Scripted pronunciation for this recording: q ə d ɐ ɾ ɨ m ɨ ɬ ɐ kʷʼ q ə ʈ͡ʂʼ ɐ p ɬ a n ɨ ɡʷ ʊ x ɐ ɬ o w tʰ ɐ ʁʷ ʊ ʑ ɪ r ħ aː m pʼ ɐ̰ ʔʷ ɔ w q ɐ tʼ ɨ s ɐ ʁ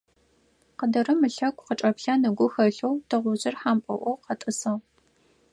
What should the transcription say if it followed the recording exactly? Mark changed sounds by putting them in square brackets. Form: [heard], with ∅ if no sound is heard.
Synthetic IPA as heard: q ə d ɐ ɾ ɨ m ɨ ɬ ɐ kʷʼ q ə ʈ͡ʂʼ ɐ p ɬ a n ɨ ɡʷ ʊ x ɐ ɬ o w tʰ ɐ ʁʷ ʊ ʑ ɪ r ħ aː m pʼ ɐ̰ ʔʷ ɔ w q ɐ tʼ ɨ s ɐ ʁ